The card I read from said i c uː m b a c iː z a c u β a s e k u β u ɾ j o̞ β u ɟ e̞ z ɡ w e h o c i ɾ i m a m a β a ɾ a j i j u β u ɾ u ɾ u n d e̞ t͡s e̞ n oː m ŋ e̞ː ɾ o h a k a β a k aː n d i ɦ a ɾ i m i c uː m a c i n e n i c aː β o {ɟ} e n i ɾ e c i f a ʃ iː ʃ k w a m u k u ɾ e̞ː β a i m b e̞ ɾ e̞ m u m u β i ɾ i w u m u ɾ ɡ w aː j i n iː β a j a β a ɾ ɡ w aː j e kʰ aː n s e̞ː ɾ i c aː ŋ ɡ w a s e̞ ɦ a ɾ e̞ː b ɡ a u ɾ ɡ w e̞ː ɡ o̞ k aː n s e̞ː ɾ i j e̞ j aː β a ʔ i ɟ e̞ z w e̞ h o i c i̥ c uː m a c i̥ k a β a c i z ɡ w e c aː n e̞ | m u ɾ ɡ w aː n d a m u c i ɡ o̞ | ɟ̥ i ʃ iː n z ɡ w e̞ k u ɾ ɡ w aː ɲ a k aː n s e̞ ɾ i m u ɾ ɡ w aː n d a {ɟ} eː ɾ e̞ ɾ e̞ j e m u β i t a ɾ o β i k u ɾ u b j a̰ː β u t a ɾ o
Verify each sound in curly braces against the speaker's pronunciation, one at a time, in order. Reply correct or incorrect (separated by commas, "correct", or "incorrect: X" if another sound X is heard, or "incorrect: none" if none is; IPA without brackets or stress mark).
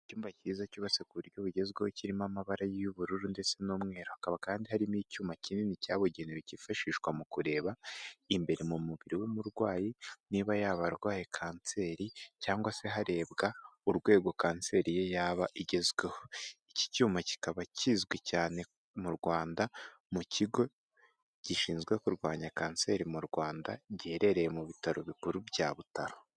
correct, correct